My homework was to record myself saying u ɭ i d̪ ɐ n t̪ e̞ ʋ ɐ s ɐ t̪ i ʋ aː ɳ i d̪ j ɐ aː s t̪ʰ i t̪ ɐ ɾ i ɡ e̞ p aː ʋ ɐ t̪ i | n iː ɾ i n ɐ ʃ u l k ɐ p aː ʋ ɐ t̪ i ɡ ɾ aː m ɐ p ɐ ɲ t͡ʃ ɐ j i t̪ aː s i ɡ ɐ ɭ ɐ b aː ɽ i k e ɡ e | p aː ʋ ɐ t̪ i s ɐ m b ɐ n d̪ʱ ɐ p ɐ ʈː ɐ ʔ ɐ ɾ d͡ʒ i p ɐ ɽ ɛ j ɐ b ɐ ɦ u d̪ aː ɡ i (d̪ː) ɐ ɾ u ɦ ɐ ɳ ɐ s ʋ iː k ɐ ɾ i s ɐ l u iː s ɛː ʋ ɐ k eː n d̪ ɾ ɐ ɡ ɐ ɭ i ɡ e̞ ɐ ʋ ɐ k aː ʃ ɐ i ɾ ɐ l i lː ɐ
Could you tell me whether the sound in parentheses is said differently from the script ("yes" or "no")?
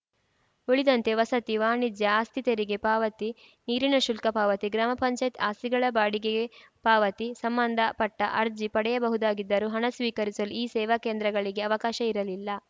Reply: no